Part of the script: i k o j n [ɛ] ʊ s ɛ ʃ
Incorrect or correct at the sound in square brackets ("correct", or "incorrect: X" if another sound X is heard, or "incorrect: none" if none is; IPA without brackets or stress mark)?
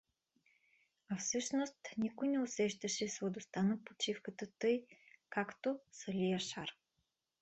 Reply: correct